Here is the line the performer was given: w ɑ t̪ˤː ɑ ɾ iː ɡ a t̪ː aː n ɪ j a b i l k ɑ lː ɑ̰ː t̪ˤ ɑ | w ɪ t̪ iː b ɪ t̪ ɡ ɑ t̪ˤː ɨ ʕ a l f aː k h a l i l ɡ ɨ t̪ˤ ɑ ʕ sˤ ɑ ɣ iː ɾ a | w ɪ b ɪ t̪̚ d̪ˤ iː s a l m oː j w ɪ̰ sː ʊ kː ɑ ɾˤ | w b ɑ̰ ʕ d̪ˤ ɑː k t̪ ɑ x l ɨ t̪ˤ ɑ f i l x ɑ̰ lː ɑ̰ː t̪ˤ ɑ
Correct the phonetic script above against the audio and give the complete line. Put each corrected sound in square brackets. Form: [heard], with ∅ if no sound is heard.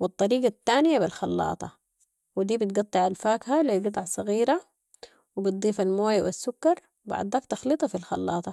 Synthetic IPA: w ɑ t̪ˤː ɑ ɾ iː ɡ a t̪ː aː n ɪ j a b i l [x] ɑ lː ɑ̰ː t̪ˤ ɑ | w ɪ [d̪] iː b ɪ t̪ ɡ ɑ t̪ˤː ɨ ʕ a l f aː k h a l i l ɡ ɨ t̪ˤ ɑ ʕ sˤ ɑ ɣ iː ɾ a | w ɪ b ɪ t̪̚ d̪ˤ iː [f] a l m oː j w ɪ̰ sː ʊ kː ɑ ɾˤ | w b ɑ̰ ʕ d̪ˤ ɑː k t̪ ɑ x l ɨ t̪ˤ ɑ f i l x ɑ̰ lː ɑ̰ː t̪ˤ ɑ